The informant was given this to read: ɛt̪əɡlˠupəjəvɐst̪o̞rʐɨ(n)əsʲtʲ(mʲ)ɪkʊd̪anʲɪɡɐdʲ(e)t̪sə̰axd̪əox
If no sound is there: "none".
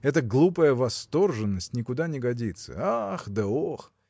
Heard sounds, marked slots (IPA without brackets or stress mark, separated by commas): nː, nʲ, i